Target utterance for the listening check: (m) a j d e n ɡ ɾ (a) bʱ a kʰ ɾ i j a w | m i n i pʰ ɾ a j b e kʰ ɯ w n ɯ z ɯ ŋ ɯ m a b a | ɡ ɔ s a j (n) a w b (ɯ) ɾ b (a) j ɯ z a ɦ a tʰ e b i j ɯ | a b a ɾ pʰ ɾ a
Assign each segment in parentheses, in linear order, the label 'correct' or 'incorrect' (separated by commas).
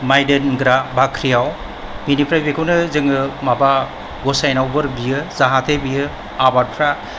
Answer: correct, correct, correct, correct, incorrect